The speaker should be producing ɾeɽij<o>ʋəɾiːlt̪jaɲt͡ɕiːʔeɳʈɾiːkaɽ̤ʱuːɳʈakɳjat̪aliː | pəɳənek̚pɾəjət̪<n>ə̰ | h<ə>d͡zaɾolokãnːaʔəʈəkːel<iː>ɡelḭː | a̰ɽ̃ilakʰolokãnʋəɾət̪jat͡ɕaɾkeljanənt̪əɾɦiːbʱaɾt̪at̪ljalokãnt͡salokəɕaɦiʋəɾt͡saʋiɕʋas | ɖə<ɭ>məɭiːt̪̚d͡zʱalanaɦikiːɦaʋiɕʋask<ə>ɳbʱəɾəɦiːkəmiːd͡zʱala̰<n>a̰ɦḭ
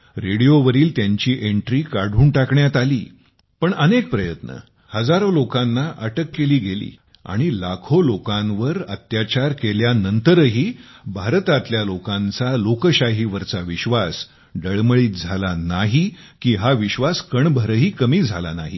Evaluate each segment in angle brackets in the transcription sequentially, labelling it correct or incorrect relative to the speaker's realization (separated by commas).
correct, correct, correct, correct, correct, correct, correct